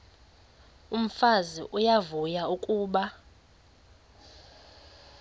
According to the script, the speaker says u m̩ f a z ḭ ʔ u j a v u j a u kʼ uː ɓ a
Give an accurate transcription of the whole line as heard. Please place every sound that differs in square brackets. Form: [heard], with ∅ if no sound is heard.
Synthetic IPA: u m̩ f a z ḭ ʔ u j a v u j a u kʼ uː ɓ a